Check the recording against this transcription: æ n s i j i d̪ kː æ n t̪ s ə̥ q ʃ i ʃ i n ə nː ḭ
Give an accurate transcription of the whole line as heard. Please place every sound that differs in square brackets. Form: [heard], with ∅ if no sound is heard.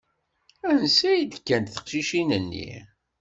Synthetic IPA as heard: æ n s [æ] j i d̪ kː æ n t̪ [θ] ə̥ q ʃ i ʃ i n ə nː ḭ

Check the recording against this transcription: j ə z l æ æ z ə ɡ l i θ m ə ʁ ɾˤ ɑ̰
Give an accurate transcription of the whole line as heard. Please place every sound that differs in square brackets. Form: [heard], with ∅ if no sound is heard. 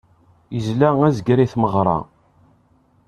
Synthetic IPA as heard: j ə z l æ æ z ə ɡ [ɾ] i θ m ə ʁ ɾˤ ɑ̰

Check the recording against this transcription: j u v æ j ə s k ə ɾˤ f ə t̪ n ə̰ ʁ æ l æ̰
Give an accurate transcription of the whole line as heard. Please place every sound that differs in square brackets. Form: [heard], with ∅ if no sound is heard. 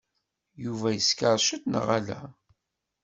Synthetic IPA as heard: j u v æ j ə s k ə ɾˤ [ʃ] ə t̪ n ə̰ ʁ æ l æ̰

